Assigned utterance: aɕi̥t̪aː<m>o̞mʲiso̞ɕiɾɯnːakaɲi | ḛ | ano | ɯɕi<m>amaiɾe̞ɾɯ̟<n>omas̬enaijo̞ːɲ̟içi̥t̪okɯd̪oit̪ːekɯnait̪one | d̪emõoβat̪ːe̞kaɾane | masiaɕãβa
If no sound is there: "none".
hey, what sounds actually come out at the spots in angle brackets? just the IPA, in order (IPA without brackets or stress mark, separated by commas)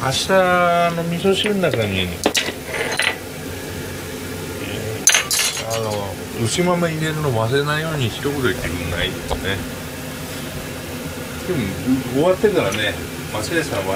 n, m, n